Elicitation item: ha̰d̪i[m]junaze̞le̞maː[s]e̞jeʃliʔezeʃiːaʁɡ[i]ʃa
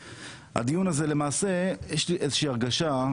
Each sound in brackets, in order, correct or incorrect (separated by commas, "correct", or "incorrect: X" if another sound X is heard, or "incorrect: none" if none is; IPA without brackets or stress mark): incorrect: none, correct, incorrect: a